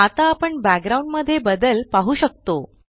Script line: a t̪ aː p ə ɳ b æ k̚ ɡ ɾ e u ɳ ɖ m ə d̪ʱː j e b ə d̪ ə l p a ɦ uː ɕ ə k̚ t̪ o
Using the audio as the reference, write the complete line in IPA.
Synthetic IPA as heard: a t̪ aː p ə ɳ b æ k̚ ɡ ɾ a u ɳ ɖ m ə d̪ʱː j e b ə d̪ ə l p a ɦ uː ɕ ə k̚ t̪ o